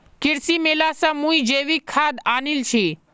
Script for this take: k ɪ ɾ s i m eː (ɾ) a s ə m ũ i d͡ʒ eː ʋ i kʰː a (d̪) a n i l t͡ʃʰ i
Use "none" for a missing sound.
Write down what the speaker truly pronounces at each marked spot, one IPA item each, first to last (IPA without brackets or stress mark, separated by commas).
l, d̪